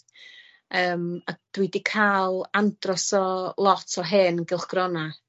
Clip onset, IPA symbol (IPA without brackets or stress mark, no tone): əː